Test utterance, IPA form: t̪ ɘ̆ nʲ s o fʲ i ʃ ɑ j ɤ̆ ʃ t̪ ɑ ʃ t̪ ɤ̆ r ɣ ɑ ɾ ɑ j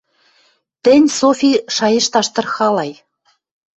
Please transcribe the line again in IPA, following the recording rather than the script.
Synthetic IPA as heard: t̪ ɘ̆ nʲ s o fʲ i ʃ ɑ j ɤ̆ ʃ t̪ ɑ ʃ t̪ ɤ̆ r x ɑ l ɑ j